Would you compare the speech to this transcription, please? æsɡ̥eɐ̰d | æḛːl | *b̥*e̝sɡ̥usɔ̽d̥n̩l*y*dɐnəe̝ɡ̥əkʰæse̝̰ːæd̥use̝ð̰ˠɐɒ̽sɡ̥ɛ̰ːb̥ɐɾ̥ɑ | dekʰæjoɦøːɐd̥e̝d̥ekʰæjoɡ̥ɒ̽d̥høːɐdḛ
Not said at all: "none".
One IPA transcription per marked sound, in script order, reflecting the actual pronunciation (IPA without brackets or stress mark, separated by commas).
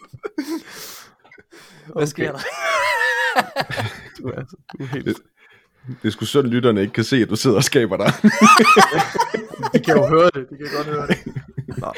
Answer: d̥, y